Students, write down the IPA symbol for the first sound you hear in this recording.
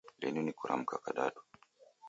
l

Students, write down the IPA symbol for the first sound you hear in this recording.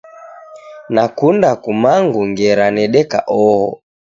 n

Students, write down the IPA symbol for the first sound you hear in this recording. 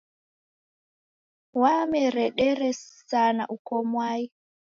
w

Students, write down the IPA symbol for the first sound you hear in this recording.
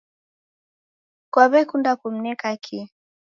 k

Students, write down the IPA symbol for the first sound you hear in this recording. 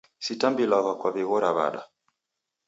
s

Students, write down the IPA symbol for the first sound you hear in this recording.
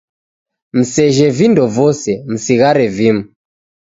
m̩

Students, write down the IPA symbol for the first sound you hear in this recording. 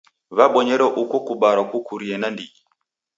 β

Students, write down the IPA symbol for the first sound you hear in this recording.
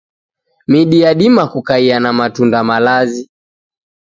m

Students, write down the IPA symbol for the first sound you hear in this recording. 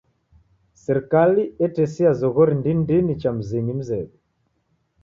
s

